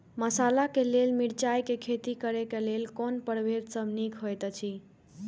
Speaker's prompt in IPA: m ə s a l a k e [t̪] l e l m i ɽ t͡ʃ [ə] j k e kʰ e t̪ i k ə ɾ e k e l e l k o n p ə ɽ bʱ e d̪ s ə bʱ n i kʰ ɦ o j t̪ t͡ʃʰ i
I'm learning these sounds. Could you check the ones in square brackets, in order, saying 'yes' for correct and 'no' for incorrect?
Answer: no, no

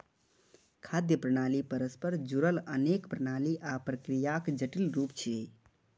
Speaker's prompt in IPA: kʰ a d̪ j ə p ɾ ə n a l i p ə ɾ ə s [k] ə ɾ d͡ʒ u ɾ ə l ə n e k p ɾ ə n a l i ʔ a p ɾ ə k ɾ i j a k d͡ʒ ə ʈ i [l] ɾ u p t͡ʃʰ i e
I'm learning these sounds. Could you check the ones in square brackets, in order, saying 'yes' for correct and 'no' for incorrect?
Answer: no, yes

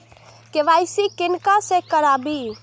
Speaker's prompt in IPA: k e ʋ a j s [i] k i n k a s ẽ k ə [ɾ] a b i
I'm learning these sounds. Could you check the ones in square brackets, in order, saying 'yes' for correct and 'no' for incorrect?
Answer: yes, yes

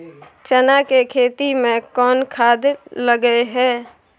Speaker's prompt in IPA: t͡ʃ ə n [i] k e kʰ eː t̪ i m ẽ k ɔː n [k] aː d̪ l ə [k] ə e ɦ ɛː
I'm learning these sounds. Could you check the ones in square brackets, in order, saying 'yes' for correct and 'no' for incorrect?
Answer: no, no, no

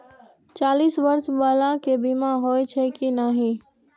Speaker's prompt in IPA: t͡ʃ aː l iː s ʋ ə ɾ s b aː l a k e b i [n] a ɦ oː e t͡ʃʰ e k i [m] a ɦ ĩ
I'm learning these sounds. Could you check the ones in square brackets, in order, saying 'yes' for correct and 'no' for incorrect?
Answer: no, no

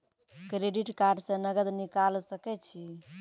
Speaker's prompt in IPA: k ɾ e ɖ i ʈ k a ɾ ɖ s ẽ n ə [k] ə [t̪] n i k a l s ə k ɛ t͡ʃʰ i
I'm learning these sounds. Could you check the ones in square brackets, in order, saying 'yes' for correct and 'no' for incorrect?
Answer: no, no

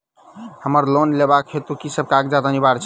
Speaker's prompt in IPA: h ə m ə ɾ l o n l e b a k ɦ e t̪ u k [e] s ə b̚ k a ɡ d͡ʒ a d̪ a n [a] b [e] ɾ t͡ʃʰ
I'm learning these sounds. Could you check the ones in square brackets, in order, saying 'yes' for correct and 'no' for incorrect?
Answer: no, no, no

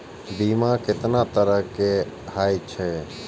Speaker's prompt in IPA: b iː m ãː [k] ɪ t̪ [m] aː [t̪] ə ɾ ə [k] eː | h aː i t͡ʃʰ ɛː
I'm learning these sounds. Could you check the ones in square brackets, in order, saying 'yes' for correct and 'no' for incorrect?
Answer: yes, no, yes, yes

